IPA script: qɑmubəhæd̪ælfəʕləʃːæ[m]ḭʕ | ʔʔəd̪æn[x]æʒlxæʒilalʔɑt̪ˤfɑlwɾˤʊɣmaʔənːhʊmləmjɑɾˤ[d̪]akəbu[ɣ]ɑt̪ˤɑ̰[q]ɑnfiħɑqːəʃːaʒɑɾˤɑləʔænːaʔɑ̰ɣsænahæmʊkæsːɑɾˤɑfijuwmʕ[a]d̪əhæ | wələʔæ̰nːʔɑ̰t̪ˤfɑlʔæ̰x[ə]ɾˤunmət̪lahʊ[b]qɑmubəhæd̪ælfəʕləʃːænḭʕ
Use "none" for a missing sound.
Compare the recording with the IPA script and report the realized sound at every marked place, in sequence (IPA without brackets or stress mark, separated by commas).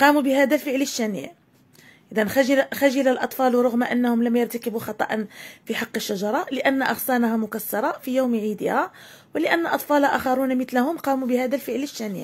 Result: n, x, t̪, x, ʔ, i, ɑ, m